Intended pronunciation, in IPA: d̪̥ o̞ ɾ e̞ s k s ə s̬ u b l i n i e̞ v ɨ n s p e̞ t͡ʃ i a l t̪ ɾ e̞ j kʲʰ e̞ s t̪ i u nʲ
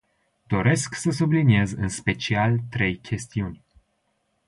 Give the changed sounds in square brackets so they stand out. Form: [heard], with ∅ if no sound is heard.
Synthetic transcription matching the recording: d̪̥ o̞ ɾ e̞ s k s ə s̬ u b l i n i e̞ [z] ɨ n s p e̞ t͡ʃ i a l t̪ ɾ e̞ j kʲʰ e̞ s t̪ i u nʲ